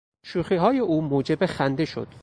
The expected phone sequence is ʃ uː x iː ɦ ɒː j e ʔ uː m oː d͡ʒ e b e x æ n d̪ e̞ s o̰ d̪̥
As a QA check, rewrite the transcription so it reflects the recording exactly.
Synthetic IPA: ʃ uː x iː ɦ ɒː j e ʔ uː m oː d͡ʒ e b e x æ n d̪ e̞ ʃ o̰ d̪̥